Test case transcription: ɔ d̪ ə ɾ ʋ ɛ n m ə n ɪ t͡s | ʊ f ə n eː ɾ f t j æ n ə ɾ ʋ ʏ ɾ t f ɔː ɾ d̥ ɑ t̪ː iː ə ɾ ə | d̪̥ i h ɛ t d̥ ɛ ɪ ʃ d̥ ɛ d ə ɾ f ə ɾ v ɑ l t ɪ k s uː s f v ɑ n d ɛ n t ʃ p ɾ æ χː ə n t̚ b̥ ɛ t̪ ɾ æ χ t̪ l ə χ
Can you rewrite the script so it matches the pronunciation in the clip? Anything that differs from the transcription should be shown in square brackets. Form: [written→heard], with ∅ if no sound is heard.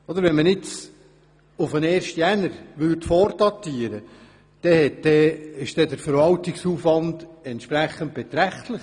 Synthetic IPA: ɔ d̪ ə ɾ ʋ ɛ n m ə n ɪ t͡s | ʊ f ə n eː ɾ [f→ʃ] t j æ n ə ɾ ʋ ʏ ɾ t f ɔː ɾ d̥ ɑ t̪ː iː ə ɾ ə | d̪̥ [i→ɛ] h ɛ t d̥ ɛ ɪ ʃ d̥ ɛ d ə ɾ f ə ɾ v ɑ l t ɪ k s uː [s→∅] f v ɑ n d ɛ n t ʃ p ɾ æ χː ə n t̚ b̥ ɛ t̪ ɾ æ χ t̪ l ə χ